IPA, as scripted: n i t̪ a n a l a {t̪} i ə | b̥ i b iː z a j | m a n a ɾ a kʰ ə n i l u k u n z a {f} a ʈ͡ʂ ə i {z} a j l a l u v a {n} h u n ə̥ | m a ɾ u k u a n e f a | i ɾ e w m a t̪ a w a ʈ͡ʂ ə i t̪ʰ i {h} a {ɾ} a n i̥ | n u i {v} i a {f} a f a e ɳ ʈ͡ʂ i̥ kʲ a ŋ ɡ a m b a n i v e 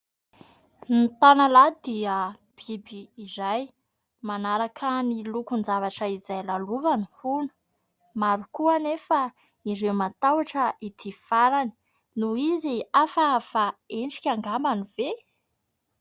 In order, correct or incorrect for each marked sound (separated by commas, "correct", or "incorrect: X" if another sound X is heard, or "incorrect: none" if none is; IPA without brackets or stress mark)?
incorrect: d̪, incorrect: v, correct, correct, incorrect: f, correct, incorrect: z, correct